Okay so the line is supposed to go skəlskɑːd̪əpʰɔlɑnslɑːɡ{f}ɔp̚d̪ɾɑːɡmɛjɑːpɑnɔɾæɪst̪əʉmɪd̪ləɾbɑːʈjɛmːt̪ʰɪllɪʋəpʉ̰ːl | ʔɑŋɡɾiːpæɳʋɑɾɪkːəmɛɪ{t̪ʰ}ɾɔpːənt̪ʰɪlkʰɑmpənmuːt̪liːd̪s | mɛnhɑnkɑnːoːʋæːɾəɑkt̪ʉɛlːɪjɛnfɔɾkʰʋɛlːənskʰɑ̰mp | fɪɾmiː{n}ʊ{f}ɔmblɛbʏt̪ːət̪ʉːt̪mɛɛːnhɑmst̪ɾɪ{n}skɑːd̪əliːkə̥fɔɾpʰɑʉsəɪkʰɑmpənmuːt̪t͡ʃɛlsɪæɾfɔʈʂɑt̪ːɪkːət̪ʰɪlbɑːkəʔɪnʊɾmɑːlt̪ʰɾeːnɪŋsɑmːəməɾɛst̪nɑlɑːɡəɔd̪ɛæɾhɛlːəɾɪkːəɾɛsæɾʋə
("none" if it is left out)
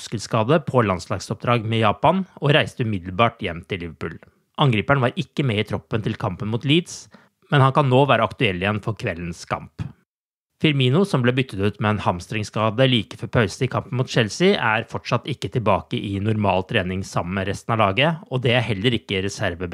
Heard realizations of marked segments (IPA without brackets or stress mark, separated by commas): s, t̪ʰ, n, s, ŋ